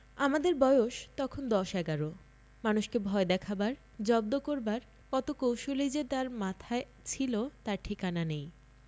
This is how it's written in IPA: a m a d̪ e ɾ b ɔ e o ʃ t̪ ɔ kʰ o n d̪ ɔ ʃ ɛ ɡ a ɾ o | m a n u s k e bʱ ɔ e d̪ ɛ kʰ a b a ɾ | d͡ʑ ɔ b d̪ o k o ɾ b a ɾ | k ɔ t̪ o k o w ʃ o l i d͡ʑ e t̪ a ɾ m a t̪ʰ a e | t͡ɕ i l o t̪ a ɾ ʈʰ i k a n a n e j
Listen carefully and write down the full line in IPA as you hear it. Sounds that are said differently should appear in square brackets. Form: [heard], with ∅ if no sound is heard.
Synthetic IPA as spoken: a m a d̪ e ɾ b ɔ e o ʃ t̪ ɔ kʰ o n d̪ ɔ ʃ ɛ ɡ a ɾ o | m a n u [ʃ] k e bʱ ɔ e d̪ ɛ kʰ a b a ɾ | d͡ʑ ɔ b d̪ o k o ɾ b a ɾ | k ɔ t̪ o k o w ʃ o l i d͡ʑ e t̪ a ɾ m a t̪ʰ a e | [t͡ɕʰ] i l o t̪ a ɾ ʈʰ i k a n a n e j